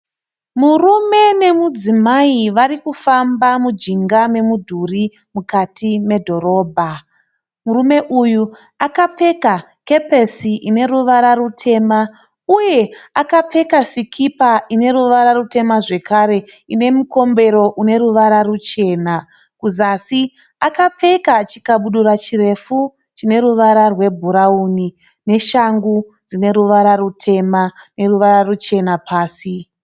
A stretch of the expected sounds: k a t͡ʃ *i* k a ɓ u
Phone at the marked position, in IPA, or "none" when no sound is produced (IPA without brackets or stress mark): i